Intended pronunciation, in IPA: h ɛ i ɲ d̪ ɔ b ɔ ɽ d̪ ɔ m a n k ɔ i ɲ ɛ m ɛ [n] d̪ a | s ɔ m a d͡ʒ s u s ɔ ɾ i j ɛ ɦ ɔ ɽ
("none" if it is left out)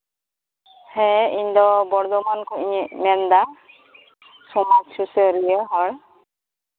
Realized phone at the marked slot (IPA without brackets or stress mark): n